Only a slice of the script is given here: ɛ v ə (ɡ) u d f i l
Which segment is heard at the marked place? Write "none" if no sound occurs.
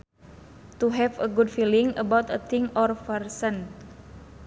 ɡ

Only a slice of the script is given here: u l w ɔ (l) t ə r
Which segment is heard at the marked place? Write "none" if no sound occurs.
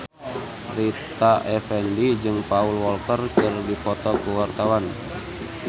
l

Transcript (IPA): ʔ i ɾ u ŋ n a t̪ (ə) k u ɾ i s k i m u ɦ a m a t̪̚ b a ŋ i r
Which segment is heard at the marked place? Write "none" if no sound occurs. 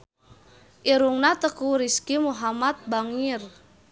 ə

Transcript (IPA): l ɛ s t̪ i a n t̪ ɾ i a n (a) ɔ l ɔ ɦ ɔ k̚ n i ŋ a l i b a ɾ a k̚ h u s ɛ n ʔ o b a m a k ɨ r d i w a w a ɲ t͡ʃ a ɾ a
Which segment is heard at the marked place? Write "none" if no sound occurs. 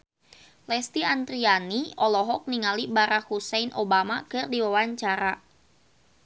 i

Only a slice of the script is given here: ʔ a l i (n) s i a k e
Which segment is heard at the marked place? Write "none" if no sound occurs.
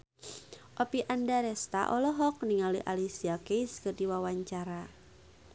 none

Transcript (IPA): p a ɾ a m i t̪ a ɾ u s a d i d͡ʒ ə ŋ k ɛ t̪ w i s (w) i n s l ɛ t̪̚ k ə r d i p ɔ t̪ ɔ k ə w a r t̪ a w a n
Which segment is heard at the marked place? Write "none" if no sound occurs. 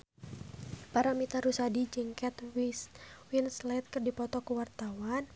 w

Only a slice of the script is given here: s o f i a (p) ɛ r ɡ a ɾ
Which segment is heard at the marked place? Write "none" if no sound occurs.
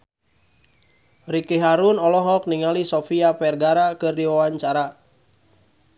p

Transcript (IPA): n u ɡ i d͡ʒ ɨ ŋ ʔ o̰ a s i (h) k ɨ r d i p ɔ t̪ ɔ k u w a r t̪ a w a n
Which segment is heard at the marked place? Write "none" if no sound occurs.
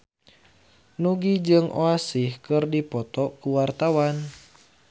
h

